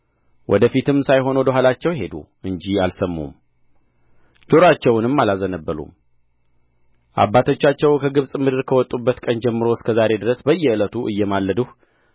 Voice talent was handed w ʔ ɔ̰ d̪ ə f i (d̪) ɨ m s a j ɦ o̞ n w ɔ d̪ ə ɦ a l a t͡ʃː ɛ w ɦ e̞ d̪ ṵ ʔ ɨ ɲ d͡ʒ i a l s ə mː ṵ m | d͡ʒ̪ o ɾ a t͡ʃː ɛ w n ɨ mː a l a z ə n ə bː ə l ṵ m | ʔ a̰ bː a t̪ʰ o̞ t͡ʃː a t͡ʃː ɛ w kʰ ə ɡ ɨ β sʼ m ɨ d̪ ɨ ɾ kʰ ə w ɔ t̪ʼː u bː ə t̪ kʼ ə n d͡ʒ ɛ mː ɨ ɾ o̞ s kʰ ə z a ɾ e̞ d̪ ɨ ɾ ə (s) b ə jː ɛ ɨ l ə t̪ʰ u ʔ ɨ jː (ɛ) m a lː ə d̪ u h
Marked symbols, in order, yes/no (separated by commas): no, yes, yes